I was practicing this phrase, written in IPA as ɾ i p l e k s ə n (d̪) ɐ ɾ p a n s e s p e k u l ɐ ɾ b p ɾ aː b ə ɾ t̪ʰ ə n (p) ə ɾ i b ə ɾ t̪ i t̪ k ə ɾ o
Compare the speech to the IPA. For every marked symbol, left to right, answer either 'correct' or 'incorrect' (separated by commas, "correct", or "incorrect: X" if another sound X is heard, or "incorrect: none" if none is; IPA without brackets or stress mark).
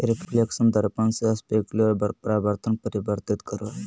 correct, correct